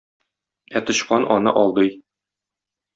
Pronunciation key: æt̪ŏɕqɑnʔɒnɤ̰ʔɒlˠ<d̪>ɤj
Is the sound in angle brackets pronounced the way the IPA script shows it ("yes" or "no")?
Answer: yes